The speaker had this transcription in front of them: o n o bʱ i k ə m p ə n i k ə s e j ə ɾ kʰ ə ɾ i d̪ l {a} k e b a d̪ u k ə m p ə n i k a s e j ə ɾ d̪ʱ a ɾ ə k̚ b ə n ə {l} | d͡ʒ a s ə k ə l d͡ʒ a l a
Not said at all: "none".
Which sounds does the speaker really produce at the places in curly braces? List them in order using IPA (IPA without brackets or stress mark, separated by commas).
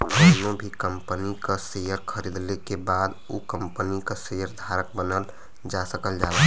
e, l